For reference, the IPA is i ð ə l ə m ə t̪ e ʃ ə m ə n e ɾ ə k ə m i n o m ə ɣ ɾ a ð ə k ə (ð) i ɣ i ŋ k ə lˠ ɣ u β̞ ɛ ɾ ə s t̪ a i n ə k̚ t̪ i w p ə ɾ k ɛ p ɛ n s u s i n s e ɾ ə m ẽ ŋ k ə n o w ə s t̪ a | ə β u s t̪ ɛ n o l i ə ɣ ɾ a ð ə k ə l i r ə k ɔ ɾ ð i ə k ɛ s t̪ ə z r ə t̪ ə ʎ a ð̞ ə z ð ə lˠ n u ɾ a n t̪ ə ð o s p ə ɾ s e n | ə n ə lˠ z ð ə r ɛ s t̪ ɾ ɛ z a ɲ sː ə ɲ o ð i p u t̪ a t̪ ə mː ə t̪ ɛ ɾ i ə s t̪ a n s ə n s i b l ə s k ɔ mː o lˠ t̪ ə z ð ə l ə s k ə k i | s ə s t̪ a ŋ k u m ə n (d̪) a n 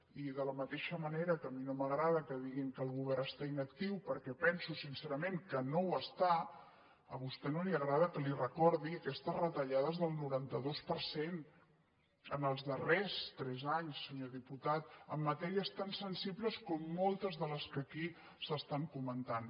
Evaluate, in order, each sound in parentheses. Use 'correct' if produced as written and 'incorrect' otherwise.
correct, incorrect

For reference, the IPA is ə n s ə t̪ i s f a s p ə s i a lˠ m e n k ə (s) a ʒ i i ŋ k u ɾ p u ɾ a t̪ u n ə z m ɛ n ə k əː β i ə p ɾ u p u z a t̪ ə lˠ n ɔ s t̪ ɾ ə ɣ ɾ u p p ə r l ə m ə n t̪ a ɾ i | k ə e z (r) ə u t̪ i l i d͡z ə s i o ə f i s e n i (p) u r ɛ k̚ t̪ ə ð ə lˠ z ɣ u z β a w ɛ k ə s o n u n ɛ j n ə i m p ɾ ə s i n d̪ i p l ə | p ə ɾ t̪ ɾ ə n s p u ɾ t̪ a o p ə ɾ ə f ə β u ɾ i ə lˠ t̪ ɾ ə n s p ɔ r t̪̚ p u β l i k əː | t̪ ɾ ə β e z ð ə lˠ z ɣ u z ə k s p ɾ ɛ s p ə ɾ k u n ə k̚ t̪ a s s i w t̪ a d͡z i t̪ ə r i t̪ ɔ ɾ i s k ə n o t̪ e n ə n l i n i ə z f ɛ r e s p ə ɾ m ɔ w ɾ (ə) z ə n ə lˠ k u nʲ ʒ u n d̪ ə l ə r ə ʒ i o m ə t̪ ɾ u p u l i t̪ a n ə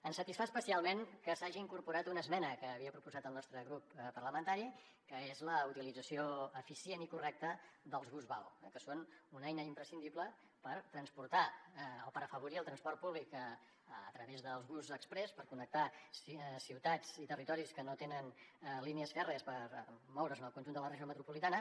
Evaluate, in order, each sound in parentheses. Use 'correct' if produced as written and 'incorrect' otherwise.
correct, incorrect, incorrect, correct

